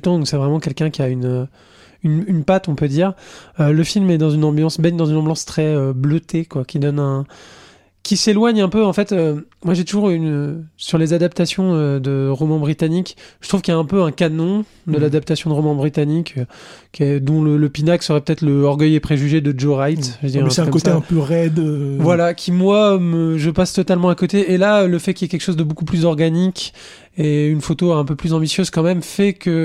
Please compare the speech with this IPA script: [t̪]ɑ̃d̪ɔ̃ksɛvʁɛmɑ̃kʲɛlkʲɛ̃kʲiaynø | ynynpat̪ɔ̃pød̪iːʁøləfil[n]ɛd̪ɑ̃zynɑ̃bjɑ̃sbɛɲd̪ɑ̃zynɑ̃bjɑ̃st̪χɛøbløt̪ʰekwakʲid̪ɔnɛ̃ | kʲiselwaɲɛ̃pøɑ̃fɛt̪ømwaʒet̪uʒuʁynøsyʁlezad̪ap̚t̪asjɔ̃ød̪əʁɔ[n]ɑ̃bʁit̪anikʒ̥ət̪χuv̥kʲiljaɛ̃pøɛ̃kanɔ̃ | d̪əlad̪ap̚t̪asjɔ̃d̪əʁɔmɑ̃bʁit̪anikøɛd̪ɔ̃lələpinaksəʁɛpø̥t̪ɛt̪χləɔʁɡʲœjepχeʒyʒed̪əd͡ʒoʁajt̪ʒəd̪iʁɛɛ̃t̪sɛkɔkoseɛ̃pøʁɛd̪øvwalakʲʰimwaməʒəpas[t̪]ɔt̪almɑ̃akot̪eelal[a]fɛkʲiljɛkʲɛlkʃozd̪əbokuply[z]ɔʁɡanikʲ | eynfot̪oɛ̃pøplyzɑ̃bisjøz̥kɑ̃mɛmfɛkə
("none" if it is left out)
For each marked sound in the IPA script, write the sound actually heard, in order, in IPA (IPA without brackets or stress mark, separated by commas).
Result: t̪, m, m, t̪, ə, z